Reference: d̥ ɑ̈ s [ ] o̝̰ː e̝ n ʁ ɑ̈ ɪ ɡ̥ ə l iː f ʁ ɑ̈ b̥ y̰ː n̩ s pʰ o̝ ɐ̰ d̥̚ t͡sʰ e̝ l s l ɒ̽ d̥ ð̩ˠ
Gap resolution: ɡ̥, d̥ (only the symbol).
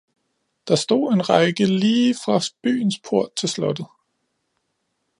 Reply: d̥